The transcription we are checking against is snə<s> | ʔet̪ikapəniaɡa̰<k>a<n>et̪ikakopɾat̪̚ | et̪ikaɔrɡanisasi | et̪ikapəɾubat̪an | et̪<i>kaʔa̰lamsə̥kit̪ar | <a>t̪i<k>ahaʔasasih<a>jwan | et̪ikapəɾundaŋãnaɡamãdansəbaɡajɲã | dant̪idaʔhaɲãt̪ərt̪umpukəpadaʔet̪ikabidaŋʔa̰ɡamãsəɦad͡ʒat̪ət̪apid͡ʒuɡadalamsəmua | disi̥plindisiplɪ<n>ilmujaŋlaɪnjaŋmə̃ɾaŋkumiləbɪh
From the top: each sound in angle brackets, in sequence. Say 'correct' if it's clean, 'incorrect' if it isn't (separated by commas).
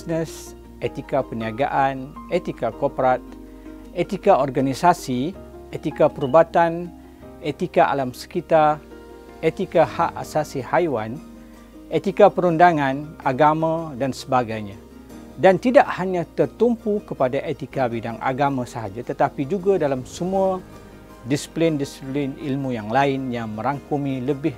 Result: correct, incorrect, correct, correct, incorrect, correct, correct, correct